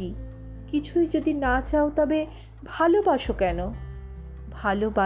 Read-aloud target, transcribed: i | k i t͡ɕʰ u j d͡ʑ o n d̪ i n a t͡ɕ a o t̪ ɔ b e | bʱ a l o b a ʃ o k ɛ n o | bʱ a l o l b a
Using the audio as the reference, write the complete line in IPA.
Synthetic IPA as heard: i | k i t͡ɕʰ u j d͡ʑ o d̪ i n a t͡ɕ a o t̪ ɔ b e | bʱ a l o b a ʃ o k ɛ n o | bʱ a l o b a